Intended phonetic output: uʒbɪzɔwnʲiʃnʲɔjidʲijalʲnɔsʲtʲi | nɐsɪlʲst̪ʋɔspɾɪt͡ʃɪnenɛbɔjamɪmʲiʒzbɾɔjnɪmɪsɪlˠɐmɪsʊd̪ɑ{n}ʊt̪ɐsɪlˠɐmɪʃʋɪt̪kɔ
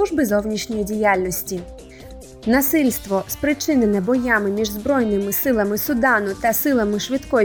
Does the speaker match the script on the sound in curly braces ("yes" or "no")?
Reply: yes